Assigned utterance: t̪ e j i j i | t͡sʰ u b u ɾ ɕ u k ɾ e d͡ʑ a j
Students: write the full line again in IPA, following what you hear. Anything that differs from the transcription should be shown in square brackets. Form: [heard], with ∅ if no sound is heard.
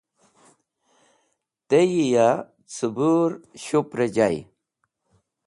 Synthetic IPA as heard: t̪ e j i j [a] | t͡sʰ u b u ɾ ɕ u [p] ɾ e d͡ʑ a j